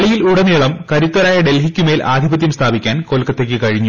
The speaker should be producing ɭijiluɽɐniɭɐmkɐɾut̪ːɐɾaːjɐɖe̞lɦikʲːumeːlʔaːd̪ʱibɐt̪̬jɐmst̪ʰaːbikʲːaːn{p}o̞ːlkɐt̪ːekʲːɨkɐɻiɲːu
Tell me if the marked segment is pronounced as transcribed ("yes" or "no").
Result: no